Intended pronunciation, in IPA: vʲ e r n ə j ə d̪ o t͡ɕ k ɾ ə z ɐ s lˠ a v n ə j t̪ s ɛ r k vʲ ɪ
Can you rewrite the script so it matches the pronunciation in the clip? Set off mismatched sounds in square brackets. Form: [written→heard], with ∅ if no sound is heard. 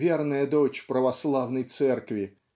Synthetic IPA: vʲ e r n ə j ə d̪ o t͡ɕ [k→p] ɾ ə [z→v] ɐ s lˠ a v n ə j t̪ s ɛ r k vʲ ɪ